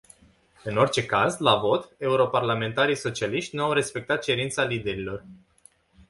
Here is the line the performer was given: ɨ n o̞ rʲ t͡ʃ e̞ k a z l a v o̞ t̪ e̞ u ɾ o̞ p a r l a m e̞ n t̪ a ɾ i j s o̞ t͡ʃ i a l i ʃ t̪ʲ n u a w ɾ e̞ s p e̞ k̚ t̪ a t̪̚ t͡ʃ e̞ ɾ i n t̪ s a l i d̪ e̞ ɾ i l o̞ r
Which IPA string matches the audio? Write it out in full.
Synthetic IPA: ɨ n o̞ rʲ t͡ʃ e̞ k a z l a v o̞ t̪ e̞ u ɾ o̞ p a r l a m e̞ n t̪ a ɾ i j s o̞ t͡ʃ i a l i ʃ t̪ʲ n u a w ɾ e̞ s p e̞ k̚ t̪ a t̪̚ t͡ʃ e̞ ɾ i n t̪ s a l i d̪ e̞ ɾ i l o̞ r